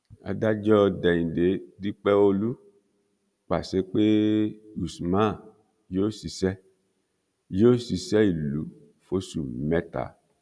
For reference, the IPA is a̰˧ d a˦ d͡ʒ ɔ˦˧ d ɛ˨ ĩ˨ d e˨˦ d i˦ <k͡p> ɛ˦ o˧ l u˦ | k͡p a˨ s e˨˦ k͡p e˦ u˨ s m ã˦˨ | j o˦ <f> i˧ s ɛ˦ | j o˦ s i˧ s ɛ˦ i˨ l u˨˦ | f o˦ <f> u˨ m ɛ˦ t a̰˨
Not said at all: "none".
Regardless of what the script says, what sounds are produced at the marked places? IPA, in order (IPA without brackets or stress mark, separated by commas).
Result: k͡p, s, s